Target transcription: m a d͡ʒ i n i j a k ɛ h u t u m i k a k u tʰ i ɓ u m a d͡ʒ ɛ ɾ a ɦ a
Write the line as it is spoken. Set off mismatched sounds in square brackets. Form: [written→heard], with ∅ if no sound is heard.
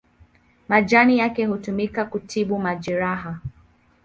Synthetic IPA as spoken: m a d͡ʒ [i→a] n i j a k ɛ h u t u m i k a k u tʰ i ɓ u m a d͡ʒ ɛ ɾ a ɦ a